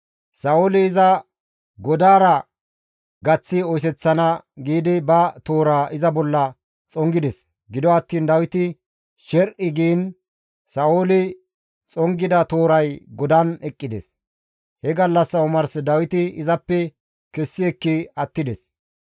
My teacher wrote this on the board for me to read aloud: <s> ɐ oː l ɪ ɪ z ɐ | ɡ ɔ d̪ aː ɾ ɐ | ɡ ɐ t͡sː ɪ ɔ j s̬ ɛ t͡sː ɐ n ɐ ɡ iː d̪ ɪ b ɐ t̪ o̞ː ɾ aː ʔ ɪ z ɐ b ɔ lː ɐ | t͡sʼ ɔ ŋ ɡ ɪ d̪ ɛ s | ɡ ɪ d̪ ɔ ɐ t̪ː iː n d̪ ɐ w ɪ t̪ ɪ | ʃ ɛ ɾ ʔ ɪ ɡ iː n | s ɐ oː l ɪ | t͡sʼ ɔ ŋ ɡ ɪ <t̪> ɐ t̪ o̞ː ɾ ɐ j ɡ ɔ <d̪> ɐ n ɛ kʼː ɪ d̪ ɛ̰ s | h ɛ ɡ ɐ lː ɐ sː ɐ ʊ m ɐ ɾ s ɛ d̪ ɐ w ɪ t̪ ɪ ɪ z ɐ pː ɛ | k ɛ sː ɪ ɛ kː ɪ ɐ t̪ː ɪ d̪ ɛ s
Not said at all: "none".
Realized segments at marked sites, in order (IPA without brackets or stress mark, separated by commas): s, d̪, d̪